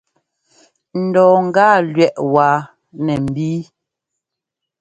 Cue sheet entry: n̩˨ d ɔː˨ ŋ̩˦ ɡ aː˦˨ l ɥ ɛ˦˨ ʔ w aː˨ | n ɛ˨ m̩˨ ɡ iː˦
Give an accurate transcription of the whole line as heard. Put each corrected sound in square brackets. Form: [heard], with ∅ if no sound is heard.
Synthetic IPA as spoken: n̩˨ d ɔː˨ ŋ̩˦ ɡ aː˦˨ l ɥ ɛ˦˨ ʔ w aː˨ | n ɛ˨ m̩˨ [b] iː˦